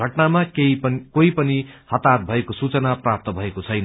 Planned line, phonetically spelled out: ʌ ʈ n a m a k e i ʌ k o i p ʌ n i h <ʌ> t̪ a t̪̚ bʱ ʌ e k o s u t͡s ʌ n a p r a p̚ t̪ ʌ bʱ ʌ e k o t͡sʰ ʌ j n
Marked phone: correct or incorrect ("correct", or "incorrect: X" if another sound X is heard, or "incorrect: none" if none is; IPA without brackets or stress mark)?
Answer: correct